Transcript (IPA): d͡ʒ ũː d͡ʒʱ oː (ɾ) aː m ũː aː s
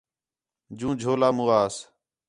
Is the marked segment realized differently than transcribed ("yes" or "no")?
yes